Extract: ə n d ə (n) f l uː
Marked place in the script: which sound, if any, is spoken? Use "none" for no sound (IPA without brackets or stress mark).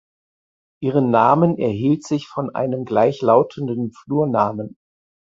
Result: n